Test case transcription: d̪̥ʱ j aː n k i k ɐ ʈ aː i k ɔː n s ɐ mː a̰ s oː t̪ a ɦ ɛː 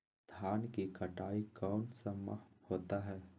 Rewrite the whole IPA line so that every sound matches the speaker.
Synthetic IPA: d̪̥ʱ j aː n k i k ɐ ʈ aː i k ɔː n s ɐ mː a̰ h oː t̪ a ɦ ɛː